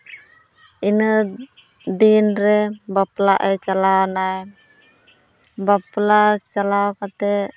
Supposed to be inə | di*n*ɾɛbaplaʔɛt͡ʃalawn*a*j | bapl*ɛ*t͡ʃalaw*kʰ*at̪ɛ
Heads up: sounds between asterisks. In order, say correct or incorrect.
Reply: correct, correct, incorrect, incorrect

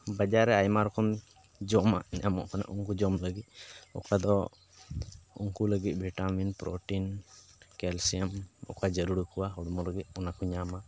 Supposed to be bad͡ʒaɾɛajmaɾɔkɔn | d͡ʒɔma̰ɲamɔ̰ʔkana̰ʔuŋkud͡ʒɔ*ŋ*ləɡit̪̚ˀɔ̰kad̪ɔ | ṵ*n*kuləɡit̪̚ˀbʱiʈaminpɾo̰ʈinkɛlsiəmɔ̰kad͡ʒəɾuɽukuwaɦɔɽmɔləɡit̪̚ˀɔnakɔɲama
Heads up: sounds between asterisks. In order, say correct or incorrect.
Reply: incorrect, incorrect

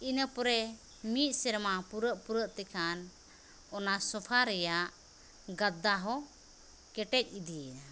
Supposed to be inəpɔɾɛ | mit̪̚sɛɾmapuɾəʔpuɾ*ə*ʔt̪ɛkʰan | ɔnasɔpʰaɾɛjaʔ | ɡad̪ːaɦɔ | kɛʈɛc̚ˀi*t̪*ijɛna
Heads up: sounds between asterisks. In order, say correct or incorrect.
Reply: correct, incorrect

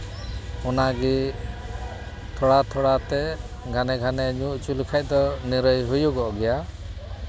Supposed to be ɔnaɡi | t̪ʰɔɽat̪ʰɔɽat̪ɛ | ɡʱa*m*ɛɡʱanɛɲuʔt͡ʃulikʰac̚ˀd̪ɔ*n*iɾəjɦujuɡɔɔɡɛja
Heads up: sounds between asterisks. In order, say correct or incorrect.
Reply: incorrect, correct

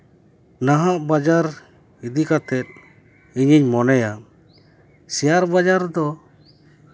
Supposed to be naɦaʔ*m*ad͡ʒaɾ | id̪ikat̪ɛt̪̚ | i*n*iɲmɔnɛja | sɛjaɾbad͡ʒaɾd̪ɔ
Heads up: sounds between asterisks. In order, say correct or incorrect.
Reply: incorrect, incorrect

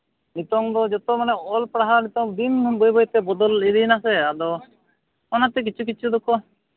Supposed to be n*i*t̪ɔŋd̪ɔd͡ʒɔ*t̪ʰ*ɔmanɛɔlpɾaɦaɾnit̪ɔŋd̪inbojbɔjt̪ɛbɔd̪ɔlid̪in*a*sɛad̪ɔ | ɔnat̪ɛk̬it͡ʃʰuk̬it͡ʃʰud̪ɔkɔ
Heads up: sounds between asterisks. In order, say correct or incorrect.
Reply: correct, incorrect, correct

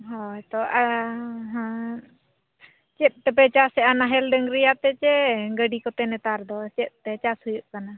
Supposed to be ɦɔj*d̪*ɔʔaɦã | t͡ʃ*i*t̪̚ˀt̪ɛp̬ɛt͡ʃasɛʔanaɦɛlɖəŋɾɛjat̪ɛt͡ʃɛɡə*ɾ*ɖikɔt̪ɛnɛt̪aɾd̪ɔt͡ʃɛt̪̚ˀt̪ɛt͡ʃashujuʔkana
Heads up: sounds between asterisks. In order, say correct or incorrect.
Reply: incorrect, incorrect, incorrect

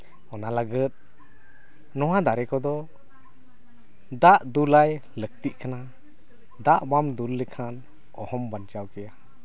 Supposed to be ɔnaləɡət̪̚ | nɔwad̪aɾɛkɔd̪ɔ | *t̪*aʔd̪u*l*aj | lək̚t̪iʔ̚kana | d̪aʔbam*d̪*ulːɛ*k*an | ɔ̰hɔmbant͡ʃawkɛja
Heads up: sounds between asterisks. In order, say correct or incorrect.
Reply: incorrect, correct, correct, incorrect

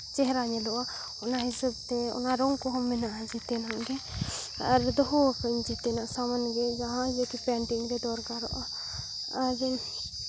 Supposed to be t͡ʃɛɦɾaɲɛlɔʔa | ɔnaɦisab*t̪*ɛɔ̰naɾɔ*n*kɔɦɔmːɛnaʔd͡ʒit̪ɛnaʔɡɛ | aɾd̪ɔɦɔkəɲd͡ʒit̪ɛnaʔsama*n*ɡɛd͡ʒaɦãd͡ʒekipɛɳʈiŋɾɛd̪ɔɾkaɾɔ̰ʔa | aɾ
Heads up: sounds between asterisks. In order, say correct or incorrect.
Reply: correct, incorrect, correct

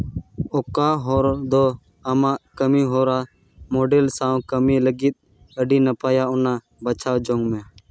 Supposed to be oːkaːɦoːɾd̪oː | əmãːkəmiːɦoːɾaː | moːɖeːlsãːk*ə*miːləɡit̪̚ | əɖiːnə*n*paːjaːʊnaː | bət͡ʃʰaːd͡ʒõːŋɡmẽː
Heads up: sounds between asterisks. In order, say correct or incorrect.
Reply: correct, incorrect

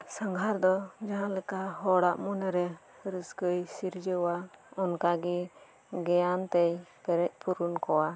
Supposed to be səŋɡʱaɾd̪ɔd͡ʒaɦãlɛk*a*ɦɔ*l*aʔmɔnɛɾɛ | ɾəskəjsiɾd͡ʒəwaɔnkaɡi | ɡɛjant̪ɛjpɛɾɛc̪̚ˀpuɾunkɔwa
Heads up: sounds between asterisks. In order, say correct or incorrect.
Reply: correct, incorrect

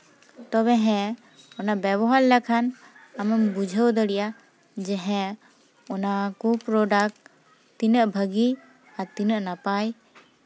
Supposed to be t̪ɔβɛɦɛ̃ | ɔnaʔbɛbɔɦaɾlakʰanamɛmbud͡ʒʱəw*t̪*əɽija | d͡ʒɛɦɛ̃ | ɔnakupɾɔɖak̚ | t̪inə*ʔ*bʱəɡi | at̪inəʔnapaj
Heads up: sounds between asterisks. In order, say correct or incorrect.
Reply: incorrect, correct

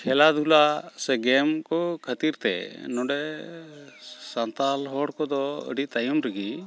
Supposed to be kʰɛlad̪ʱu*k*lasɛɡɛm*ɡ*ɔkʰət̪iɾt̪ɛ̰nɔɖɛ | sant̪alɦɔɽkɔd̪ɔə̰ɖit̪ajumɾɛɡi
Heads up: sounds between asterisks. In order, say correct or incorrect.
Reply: incorrect, incorrect

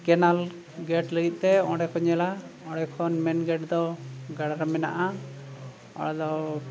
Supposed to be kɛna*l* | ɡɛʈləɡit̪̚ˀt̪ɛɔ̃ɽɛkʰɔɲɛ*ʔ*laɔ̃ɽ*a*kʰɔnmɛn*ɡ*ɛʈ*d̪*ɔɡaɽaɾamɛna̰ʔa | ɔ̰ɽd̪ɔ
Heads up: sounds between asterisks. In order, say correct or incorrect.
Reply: correct, incorrect, incorrect, correct, correct

